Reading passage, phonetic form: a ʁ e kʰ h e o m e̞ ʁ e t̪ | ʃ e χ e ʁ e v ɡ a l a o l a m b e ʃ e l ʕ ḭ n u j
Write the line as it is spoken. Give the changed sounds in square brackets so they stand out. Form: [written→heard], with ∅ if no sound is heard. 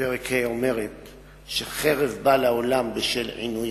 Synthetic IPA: [a→e] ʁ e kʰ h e o m e̞ ʁ e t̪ | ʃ e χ e ʁ e v [ɡ→b] a l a o l a m b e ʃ e l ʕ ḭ n u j